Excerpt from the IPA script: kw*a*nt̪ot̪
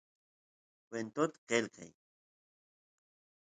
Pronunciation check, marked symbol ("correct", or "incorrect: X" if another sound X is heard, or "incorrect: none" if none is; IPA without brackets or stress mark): incorrect: e